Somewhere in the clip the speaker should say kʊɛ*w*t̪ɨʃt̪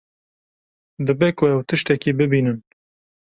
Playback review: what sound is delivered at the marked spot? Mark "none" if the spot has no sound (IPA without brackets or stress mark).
w